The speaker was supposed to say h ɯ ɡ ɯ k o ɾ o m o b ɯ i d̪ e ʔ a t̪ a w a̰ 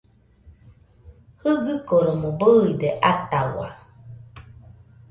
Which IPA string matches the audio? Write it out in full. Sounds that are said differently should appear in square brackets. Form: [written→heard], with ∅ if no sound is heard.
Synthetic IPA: h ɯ ɡ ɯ k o ɾ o m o b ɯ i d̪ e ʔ a t̪ a w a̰